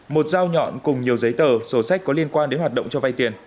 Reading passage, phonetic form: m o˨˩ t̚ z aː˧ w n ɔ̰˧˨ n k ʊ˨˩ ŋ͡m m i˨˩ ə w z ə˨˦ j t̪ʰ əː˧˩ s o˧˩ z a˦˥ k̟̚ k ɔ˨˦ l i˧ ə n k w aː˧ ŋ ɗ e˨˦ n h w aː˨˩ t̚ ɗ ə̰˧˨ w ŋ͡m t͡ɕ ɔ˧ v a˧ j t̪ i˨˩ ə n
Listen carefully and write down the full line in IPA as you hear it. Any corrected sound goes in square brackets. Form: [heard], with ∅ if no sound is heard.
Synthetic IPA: m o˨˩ t̚ z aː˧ w [ɲ] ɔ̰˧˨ n k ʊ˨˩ ŋ͡m [ɲ] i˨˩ ə w z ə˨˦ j [t̪] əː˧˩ s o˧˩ [s] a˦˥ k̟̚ k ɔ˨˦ l i˧ ə n k w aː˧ [n] ɗ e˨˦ n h w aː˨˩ t̚ ɗ ə̰˧˨ w ŋ͡m t͡ɕ ɔ˧ v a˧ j t̪ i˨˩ ə n